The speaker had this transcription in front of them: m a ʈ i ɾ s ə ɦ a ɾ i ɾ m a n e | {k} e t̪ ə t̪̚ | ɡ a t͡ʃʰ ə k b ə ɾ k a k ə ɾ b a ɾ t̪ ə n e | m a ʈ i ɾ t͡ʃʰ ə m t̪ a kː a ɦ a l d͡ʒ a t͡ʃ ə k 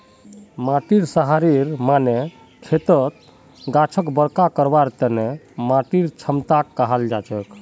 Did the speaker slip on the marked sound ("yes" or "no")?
yes